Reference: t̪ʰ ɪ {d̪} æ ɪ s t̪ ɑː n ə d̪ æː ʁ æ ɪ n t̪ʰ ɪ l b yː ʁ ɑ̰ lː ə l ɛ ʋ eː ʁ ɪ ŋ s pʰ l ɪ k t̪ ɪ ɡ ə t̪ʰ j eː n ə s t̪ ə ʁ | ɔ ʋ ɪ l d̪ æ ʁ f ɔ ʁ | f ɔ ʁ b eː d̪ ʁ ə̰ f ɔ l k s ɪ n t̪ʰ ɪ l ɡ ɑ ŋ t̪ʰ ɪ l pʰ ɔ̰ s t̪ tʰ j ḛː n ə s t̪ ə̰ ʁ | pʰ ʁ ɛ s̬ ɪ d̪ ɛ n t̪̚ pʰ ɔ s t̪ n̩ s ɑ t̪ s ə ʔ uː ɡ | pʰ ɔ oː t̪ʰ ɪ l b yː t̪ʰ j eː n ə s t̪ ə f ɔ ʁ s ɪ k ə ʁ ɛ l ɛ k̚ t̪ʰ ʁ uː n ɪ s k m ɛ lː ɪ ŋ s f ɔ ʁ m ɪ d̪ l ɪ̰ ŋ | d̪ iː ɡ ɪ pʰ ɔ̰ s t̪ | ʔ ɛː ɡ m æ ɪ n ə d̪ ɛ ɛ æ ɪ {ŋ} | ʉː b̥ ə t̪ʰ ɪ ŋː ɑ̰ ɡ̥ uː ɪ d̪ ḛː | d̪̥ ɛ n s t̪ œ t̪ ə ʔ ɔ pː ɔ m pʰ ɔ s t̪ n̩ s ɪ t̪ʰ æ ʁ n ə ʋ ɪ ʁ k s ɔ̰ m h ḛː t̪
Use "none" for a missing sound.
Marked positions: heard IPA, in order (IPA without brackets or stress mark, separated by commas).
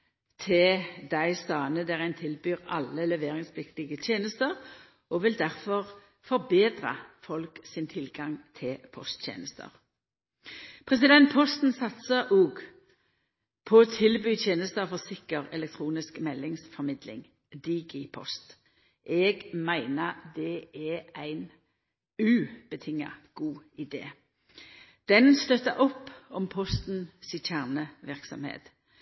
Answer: d̪, n